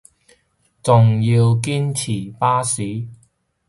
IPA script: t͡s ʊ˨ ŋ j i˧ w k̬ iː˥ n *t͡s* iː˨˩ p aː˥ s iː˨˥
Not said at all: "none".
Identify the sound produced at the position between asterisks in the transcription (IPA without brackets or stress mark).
t͡sʰ